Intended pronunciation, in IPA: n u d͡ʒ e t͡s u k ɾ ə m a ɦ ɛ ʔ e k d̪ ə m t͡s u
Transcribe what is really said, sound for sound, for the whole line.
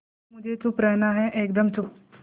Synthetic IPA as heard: m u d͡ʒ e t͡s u p ɾ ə n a ɦ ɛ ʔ e k d̪ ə m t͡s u